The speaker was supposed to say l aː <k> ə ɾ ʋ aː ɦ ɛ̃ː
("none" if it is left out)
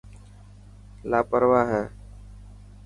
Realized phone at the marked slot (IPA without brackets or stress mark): p